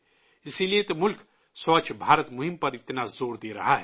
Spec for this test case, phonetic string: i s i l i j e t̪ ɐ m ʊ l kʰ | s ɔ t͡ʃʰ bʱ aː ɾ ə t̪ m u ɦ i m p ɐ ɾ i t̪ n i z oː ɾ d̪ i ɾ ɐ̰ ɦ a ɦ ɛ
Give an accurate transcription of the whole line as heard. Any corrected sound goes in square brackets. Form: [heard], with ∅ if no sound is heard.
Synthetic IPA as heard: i s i l i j e t̪ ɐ m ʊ l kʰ | s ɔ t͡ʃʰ bʱ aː ɾ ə t̪ m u ɦ i m p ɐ ɾ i t̪ n [a] z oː ɾ d̪ i ɾ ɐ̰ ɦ a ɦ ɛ

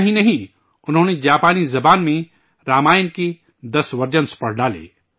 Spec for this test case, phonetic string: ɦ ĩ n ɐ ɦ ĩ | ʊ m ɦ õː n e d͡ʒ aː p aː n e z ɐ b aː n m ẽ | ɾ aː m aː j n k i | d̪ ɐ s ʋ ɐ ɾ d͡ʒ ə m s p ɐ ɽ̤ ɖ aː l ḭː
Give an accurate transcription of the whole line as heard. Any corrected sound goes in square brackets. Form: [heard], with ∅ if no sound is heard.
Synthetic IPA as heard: ɦ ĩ n ɐ ɦ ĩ | ʊ [n] ɦ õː n e d͡ʒ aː p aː n [i] z ɐ b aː n m ẽ | ɾ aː m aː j n k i | d̪ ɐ s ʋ ɐ ɾ d͡ʒ ə [n] s p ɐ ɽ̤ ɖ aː l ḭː

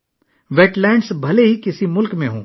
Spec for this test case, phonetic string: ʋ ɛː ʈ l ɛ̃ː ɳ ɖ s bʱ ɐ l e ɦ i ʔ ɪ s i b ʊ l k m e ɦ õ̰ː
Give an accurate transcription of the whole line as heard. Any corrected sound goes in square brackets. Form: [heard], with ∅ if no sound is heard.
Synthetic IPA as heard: ʋ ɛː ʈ l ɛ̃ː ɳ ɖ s bʱ ɐ l e ɦ i [k] ɪ s i [m] ʊ l k m [ẽ] ɦ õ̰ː

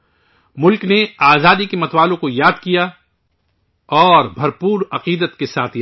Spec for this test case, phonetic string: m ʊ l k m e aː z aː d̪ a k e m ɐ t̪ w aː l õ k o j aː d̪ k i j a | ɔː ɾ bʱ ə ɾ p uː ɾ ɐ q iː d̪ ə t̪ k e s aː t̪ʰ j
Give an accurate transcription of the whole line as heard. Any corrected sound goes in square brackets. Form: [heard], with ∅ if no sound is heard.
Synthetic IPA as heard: m ʊ l k [n] e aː z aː d̪ [i] k e m ɐ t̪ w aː l õ k o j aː d̪ k i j a | ɔː ɾ bʱ [ɐ] ɾ p uː ɾ ɐ q iː d̪ ə t̪ k e s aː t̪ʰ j

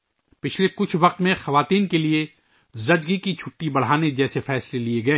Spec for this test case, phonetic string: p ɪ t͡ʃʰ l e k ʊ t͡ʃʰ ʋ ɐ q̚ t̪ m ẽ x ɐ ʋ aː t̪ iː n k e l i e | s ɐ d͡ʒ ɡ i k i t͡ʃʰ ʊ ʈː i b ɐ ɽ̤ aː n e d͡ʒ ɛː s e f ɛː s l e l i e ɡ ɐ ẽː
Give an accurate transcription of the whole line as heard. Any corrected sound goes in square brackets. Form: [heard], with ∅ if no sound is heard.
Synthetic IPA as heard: p ɪ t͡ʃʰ l e k ʊ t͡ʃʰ ʋ ɐ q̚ t̪ m ẽ x ɐ ʋ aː t̪ iː n k e l i e | [z] ɐ d͡ʒ ɡ i k i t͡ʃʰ ʊ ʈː i b ɐ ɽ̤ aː n e d͡ʒ ɛː s e f ɛː s l e l i e ɡ ɐ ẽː

